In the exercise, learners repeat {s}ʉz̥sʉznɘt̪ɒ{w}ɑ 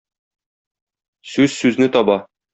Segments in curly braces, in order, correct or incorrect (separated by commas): correct, incorrect